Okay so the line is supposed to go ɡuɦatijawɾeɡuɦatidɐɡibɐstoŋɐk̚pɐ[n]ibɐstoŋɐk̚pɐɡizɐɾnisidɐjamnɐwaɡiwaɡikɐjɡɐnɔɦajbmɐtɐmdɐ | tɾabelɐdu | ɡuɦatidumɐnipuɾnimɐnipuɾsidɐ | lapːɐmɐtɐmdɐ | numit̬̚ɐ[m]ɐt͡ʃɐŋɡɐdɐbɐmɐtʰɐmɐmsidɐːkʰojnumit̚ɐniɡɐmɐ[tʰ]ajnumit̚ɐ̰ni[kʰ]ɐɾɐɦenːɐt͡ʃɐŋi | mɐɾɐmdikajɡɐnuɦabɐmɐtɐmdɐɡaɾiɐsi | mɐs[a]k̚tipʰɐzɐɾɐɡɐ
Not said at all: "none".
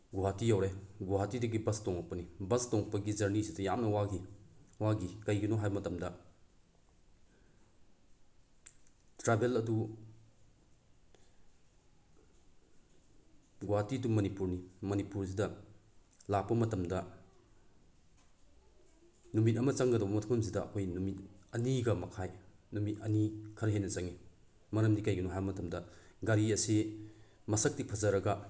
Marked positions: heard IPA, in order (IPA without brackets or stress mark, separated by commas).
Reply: n, m, kʰ, kʰ, ɐ